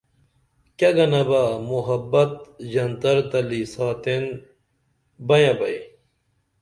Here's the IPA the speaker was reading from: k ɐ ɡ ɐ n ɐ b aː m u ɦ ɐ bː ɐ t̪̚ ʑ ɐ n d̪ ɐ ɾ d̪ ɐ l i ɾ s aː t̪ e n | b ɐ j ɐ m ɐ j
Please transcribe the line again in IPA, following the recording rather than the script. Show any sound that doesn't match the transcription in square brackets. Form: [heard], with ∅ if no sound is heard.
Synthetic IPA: k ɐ ɡ ɐ n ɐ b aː m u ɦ ɐ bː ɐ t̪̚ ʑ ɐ n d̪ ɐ ɾ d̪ ɐ l i [∅] s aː t̪ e n | b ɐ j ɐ [b] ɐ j